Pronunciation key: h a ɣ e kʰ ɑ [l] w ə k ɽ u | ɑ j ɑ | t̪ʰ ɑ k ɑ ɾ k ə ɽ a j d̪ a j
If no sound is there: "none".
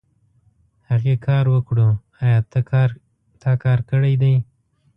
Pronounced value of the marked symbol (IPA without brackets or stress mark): ɾ